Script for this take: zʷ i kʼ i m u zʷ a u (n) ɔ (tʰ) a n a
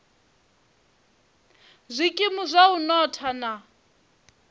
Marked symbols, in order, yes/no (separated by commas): yes, yes